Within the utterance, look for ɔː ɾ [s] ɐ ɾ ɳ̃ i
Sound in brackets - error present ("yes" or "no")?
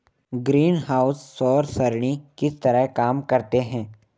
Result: no